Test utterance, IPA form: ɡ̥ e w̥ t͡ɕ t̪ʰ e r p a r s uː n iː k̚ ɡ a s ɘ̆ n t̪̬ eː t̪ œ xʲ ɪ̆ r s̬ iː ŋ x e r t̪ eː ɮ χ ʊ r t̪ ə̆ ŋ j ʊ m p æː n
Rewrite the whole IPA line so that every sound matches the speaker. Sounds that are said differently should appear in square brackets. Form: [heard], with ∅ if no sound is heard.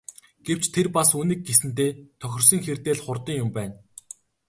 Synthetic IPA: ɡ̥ e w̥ t͡ɕ t̪ʰ e r p a [∅] s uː n iː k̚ ɡ [e] s ɘ̆ n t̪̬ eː [t̪ʰ] œ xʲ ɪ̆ r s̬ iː ŋ x e r t̪ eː ɮ χ ʊ r t̪ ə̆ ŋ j ʊ m p æː n